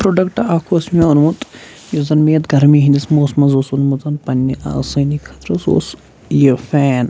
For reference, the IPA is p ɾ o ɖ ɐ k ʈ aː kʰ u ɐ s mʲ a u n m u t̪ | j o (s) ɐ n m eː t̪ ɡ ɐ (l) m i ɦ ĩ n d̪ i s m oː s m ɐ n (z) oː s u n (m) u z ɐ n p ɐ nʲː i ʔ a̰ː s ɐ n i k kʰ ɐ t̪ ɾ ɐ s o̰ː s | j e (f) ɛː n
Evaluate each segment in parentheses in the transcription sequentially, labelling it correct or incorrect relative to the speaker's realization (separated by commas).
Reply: incorrect, incorrect, correct, correct, correct